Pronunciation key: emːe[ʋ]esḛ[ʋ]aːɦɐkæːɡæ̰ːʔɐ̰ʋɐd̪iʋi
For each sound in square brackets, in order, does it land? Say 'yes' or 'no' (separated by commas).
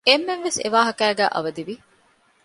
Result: no, yes